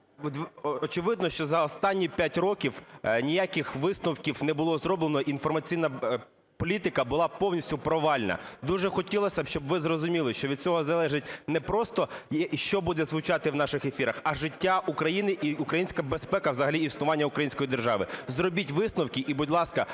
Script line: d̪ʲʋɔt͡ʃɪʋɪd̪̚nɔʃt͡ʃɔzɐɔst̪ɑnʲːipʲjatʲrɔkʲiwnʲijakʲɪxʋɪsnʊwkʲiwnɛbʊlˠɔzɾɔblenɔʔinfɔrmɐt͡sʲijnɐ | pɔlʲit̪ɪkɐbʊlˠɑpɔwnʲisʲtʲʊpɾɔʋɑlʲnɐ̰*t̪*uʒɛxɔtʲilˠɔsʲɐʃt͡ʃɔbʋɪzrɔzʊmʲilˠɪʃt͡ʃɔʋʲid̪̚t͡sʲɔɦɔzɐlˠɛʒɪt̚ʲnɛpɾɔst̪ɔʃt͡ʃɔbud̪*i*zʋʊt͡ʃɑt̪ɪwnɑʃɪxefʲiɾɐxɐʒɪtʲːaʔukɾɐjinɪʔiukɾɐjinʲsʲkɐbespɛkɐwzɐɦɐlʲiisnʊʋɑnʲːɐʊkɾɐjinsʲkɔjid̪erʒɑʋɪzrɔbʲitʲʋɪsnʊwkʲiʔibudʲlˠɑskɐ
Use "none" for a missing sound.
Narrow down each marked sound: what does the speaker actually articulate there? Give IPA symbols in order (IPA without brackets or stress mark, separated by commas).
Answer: d̪, ɛ